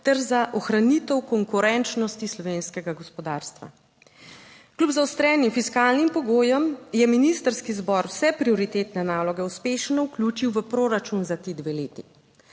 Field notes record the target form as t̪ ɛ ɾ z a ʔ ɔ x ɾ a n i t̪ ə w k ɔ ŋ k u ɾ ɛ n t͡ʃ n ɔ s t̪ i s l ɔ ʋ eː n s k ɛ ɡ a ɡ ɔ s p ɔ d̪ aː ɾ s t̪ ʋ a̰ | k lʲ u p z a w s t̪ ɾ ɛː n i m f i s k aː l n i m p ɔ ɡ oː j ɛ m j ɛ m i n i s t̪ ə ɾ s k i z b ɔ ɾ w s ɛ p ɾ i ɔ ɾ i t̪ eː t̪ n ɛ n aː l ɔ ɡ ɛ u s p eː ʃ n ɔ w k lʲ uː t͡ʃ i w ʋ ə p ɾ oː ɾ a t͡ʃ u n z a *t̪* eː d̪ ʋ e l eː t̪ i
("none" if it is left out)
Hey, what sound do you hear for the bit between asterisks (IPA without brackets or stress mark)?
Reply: t̪